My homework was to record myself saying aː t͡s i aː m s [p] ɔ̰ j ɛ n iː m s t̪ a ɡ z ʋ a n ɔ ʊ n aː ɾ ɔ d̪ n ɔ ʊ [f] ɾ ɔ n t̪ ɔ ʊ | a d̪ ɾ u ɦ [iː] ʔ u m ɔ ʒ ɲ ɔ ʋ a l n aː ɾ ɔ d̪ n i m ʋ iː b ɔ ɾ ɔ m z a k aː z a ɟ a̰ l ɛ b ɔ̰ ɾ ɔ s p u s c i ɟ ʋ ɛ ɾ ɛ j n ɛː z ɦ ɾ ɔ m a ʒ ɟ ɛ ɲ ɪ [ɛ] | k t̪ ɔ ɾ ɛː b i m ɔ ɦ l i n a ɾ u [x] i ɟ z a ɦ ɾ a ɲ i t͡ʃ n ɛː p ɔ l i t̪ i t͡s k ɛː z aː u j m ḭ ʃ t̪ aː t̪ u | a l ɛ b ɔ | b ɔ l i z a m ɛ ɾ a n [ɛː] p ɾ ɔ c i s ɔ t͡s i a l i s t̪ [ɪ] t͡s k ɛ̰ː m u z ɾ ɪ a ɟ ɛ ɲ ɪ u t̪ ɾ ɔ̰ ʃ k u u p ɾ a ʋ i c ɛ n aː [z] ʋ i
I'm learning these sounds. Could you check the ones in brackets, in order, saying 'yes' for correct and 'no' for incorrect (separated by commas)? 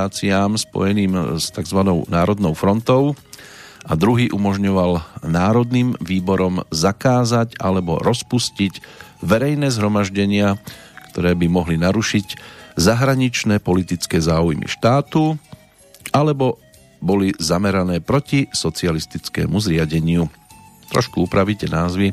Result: yes, yes, yes, no, no, yes, no, yes